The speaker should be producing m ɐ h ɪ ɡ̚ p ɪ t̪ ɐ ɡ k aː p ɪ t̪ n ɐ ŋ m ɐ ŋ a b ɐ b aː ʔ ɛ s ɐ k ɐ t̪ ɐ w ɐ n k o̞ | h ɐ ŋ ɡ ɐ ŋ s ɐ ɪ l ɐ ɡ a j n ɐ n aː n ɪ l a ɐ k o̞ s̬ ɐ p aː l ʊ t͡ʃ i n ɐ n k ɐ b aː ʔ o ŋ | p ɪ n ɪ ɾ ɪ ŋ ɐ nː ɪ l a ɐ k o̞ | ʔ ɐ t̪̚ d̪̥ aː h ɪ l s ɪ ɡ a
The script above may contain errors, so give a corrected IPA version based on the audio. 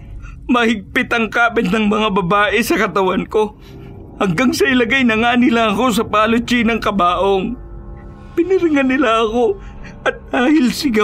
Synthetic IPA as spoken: m ɐ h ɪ ɡ̚ p ɪ t̪ ɐ ŋ k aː p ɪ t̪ n ɐ ŋ m ɐ ŋ a b ɐ b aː ʔ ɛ s ɐ k ɐ t̪ ɐ w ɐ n k o̞ | h ɐ ŋ ɡ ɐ ŋ s ɐ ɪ l ɐ ɡ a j n ɐ ŋ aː n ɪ l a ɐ k o̞ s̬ ɐ p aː l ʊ t͡ʃ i n ɐ ŋ k ɐ b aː ʔ o ŋ | p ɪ n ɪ ɾ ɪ ŋ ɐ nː ɪ l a ɐ k o̞ | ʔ ɐ t̪̚ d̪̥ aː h ɪ l s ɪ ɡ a